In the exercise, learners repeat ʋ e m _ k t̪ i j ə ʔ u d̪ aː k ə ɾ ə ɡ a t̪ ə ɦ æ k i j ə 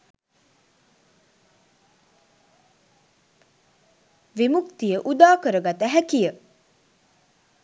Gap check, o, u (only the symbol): u